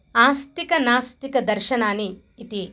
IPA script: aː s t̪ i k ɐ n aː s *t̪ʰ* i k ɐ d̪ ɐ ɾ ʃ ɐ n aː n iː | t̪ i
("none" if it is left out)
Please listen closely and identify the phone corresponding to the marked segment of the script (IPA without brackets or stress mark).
t̪